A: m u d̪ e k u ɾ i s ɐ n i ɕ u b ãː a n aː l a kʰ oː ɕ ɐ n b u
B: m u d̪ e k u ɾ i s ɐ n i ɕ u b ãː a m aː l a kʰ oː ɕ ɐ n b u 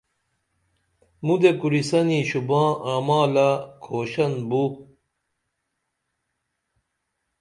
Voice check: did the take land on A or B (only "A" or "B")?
B